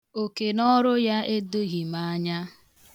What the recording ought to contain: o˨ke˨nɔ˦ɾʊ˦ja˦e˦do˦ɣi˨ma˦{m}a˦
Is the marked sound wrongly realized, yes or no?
yes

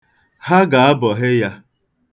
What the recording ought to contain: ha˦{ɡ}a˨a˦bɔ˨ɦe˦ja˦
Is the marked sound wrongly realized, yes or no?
no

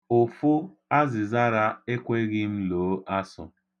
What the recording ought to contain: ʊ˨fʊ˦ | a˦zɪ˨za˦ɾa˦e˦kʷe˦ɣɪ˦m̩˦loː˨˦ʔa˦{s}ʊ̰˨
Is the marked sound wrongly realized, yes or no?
no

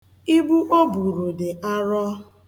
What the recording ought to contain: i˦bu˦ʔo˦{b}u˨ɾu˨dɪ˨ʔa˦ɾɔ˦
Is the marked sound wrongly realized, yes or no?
no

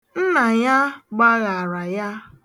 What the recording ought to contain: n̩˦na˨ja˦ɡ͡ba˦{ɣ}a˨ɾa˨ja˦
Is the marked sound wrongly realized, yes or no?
no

